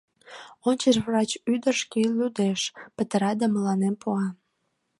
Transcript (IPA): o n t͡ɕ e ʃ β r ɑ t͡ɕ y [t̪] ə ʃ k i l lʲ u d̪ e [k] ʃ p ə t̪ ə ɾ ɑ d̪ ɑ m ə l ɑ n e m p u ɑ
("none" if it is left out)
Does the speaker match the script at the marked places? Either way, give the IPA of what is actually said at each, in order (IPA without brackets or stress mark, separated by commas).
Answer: d̪, none